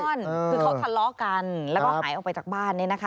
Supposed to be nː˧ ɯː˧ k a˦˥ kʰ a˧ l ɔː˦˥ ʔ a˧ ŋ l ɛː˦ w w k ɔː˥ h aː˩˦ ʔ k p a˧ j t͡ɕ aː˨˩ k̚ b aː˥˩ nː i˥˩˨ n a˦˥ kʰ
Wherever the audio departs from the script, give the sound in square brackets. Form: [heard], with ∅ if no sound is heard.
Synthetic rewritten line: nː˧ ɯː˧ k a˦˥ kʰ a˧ l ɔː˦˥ [k] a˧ [n] l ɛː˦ w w k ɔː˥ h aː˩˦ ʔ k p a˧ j t͡ɕ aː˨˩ k̚ b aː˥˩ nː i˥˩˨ n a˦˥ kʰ